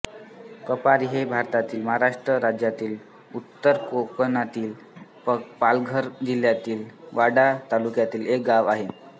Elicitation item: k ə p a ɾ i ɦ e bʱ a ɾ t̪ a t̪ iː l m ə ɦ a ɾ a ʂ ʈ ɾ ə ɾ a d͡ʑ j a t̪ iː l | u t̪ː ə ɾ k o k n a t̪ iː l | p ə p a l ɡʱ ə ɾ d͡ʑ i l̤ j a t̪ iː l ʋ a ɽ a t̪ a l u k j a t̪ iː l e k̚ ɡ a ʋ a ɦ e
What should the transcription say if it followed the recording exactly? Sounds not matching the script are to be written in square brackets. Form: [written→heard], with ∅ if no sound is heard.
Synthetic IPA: k ə p a ɾ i ɦ e bʱ a ɾ t̪ a t̪ iː l m ə ɦ a ɾ a ʂ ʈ ɾ ə ɾ a d͡ʑ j a t̪ iː l | u t̪ː ə ɾ k o k n a t̪ iː l | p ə p a l ɡʱ ə ɾ d͡ʑ i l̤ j a t̪ iː l ʋ a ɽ a t̪ a l u k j a t̪ iː l e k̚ ɡ a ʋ a ɦ e

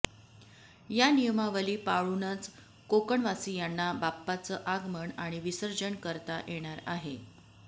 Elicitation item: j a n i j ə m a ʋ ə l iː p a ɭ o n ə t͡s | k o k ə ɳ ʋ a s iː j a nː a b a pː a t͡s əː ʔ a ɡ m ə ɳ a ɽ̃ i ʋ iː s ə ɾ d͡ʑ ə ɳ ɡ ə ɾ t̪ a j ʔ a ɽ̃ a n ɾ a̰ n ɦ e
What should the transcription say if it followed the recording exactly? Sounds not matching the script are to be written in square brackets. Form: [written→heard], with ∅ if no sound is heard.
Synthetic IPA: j a n i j ə m a ʋ ə l iː p a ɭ [o→u] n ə t͡s | k o k ə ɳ ʋ a s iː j a nː a b a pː a t͡s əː ʔ a ɡ m ə ɳ a ɽ̃ i ʋ [iː→i] s ə ɾ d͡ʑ ə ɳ [ɡ→k] ə ɾ t̪ a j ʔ [a→e] ɽ̃ a [n→∅] ɾ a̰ [n→∅] ɦ e

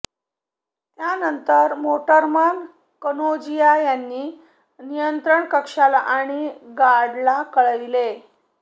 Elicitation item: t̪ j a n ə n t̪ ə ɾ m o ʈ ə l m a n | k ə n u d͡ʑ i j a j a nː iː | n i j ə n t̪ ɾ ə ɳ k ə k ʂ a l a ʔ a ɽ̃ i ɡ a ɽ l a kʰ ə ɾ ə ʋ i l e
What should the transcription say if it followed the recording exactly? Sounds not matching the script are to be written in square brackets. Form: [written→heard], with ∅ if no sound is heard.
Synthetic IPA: t̪ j a n ə n t̪ ə ɾ m o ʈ ə [l→ɾ] m a n | k ə n [u→o] d͡ʑ i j a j a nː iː | n i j ə n t̪ ɾ ə ɳ k ə k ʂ a l a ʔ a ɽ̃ i ɡ a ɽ l a [kʰ→k] ə [ɾ→ɭ] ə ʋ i l e

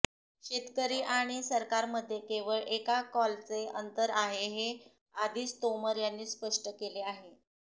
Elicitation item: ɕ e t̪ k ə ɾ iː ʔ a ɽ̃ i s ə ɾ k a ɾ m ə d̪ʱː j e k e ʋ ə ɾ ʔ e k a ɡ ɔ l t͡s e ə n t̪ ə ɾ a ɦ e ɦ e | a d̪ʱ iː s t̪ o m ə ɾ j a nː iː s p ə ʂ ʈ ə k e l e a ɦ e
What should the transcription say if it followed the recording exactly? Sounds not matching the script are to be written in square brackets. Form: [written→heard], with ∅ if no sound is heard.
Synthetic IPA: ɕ e t̪ k ə ɾ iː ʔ a ɽ̃ i s ə ɾ k a ɾ m ə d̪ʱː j e k e ʋ ə [ɾ→ɭ] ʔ e k a [ɡ→k] ɔ l t͡s e ə n t̪ ə ɾ a ɦ e ɦ e | a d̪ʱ iː s t̪ o m ə ɾ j a nː iː s p ə ʂ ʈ ə k e l e a ɦ e

